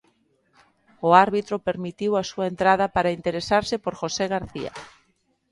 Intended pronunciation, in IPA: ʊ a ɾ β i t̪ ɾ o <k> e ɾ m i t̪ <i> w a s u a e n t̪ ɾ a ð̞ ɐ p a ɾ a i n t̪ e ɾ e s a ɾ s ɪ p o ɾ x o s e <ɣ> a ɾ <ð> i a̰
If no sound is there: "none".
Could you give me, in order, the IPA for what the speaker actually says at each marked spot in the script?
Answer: p, i, ɣ, θ

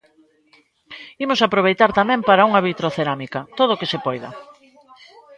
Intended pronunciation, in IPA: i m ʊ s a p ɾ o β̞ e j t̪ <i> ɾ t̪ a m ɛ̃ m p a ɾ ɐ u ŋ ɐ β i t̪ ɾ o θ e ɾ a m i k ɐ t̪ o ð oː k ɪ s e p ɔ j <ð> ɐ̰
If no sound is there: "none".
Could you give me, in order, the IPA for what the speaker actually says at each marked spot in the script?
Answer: a, ð

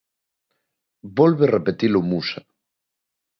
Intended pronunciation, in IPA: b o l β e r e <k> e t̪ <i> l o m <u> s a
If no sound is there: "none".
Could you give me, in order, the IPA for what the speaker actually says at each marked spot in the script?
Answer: p, i, u

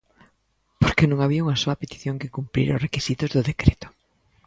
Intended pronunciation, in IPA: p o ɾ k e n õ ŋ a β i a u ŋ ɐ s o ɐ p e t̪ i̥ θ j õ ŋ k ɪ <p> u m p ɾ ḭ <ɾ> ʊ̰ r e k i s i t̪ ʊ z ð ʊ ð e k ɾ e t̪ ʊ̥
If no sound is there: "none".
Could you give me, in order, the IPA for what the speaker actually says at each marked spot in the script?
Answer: k, ɾ

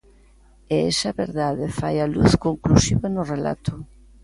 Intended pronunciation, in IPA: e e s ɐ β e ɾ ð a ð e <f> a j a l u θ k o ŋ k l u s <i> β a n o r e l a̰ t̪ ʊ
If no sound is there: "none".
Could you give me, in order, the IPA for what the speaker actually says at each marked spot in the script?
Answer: f, i

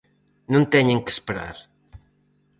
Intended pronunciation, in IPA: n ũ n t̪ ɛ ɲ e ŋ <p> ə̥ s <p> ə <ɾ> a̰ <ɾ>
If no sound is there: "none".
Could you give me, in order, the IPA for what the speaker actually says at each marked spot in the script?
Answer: k, p, ɾ, ɾ

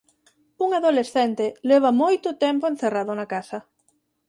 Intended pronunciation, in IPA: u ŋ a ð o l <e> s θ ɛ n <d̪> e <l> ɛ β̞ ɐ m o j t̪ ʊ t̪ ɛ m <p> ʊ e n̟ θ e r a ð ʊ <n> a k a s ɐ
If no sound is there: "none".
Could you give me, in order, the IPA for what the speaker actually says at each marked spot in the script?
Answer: e, t̪, l, p, n

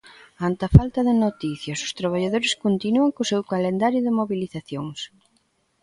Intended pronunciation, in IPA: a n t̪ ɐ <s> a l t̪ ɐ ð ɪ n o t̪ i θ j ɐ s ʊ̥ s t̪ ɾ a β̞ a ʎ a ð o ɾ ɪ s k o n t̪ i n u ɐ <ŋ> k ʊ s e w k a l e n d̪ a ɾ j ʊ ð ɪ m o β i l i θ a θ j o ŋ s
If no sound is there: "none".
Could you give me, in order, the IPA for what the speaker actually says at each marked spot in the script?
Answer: f, ŋ

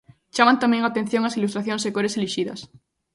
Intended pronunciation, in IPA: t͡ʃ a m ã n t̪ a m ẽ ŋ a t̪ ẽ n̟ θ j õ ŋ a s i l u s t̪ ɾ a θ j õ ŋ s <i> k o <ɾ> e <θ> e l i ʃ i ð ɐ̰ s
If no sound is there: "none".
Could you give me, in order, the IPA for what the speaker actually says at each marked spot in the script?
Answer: e, ɾ, s

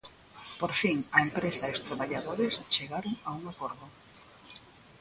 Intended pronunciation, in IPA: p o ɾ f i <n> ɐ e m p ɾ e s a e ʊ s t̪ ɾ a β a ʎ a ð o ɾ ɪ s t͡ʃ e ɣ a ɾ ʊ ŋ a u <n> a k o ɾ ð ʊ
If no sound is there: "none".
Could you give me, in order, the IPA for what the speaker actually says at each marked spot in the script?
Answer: ŋ, ŋ

